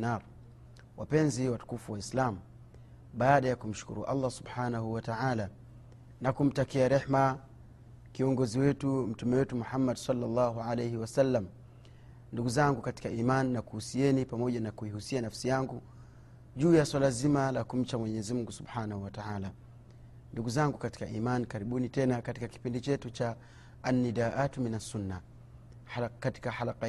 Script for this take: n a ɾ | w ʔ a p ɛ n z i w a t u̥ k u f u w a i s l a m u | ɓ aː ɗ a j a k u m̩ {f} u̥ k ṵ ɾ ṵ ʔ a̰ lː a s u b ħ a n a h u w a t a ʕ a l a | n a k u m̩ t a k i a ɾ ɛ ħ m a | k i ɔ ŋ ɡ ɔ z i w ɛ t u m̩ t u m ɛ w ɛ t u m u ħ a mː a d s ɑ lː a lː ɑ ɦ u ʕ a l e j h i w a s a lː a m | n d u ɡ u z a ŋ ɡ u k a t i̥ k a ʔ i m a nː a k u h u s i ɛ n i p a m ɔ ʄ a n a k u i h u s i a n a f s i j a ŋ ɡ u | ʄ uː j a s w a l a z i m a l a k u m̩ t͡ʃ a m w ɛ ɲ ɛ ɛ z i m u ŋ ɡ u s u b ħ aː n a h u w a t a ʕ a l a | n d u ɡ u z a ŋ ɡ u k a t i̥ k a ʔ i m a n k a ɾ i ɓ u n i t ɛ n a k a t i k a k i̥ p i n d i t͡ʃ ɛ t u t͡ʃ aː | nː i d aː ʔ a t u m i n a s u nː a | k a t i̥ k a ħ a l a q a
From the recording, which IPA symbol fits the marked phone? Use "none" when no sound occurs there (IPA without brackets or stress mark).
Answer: ʃ